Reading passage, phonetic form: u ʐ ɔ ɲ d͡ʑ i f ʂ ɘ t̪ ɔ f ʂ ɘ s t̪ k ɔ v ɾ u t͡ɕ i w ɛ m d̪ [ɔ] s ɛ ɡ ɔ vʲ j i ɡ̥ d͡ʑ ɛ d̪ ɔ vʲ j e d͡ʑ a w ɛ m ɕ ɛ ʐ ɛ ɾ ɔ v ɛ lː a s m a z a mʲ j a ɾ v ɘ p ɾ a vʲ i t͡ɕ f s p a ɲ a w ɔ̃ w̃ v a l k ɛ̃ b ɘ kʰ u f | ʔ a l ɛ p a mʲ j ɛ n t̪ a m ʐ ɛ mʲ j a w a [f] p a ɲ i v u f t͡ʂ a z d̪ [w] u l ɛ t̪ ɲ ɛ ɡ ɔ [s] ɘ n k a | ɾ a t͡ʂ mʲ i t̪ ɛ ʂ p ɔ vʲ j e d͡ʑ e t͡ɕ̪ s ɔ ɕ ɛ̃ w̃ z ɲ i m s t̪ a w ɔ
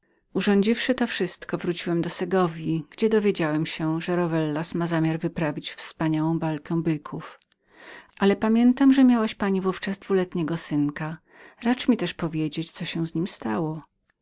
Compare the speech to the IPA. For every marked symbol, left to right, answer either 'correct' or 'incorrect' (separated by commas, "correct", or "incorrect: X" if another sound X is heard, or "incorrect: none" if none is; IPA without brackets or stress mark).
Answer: correct, incorrect: ɕ, incorrect: v, correct